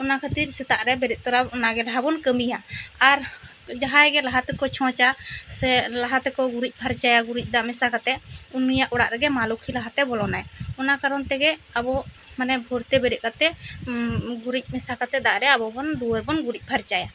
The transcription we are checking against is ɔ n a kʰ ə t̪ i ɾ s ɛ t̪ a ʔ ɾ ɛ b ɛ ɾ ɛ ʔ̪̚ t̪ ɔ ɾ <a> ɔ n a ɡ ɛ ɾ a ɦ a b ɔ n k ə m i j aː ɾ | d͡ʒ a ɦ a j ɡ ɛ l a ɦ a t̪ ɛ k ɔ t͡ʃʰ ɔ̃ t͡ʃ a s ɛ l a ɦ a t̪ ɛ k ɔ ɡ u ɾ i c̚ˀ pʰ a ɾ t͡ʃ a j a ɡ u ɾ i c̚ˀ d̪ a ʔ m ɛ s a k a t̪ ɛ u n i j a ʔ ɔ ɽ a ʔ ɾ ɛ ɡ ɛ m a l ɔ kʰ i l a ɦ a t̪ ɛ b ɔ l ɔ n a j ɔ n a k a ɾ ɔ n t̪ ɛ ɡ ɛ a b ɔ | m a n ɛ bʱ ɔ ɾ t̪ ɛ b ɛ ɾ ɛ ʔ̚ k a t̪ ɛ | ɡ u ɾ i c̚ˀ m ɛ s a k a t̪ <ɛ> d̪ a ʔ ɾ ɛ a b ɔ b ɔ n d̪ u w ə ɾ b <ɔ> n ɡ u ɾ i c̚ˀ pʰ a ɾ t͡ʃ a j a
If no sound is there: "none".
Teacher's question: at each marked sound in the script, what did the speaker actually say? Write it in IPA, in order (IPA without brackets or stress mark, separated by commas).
a, ɛ, ɔ